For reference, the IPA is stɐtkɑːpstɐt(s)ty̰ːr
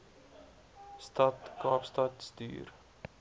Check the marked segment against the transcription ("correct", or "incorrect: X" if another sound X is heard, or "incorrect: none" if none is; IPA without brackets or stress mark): correct